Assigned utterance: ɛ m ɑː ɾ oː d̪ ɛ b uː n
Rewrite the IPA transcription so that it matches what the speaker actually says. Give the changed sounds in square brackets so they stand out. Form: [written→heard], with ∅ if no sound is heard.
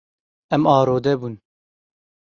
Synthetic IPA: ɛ m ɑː ɾ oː d̪ ɛ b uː n